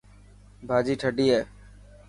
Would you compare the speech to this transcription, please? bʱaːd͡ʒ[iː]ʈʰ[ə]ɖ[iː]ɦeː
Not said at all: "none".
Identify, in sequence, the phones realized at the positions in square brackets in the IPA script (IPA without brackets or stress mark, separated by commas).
iː, ə, iː